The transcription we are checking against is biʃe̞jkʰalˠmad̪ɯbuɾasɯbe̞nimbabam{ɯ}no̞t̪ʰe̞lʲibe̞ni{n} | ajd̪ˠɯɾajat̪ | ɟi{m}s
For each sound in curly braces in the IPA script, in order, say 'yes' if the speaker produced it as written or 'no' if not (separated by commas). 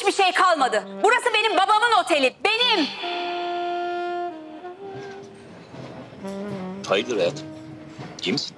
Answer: yes, no, yes